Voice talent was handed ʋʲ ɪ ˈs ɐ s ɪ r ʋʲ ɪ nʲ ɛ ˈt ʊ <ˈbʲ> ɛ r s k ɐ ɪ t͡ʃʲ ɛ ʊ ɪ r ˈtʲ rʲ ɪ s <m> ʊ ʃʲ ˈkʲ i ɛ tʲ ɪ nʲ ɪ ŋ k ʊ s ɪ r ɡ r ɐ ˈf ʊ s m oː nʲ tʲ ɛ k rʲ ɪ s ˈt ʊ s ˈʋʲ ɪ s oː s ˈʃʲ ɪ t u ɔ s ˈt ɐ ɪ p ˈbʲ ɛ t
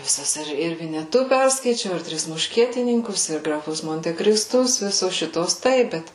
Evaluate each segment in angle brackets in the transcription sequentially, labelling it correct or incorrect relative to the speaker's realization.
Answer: incorrect: pʲ, correct

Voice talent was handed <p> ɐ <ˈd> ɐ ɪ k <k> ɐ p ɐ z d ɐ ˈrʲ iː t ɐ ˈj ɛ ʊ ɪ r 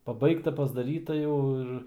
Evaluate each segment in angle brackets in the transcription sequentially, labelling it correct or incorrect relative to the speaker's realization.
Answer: correct, incorrect: b, incorrect: t

